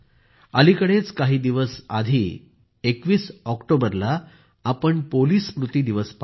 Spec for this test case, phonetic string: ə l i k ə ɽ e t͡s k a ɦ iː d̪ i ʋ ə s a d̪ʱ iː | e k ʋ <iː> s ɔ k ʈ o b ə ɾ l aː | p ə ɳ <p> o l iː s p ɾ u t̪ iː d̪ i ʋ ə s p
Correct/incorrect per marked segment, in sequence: correct, correct

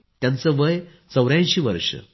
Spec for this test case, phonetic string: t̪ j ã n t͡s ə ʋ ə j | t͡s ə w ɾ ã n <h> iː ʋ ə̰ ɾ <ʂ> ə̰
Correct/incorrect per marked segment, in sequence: incorrect, correct

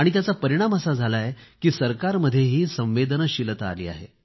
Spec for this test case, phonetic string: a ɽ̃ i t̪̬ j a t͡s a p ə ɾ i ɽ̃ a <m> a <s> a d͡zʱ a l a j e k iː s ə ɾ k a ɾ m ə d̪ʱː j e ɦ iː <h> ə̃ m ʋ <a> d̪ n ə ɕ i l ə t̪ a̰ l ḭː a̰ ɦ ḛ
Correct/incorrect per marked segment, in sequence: correct, correct, incorrect, incorrect

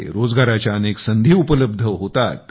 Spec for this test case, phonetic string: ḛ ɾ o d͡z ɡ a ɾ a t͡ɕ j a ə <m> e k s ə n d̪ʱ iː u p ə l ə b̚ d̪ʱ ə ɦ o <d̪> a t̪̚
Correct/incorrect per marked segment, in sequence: incorrect, incorrect

